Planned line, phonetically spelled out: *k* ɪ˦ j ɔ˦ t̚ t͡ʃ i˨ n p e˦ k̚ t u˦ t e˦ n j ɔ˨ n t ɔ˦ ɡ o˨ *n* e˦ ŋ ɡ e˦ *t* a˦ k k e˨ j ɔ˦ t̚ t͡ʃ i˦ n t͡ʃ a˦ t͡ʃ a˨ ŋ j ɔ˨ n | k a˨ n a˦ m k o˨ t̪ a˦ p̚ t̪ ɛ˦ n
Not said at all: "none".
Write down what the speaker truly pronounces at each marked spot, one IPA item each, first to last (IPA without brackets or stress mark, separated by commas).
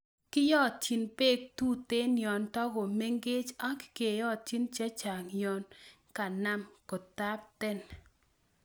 k, m, t͡ʃ